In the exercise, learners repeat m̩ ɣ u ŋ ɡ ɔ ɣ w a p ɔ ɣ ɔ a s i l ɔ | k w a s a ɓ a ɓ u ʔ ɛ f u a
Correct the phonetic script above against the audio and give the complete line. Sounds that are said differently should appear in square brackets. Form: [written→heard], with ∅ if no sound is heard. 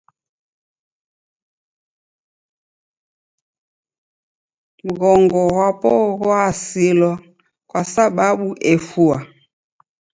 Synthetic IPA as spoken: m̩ ɣ [u→ɔ] ŋ ɡ ɔ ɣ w a p ɔ ɣ ɔ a s i l ɔ | k w a s a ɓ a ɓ u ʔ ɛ f u a